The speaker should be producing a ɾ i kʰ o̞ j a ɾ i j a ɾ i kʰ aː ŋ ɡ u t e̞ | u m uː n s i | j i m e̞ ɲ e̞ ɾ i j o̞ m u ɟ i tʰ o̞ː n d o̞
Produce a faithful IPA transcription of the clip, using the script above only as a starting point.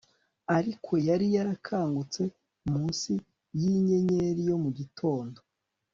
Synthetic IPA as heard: a ɾ i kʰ o̞ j a ɾ i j a ɾ a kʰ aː ŋ ɡ u t͡s e̞ | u m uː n s i | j i ɲ e̞ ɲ e̞ ɾ i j o̞ m u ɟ i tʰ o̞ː n d o̞